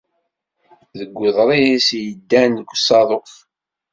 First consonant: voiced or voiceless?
voiced